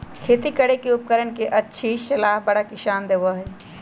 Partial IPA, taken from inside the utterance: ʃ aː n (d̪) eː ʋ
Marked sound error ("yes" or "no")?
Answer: no